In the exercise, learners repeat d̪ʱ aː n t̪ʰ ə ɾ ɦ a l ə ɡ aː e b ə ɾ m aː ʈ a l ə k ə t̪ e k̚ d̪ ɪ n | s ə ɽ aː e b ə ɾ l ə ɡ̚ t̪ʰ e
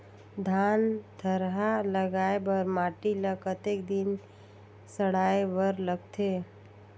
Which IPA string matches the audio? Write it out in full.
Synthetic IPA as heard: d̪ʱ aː n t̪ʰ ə ɾ ɦ a l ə ɡ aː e b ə ɾ m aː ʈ i l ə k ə t̪ e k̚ d̪ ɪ n | s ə ɽ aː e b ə ɾ l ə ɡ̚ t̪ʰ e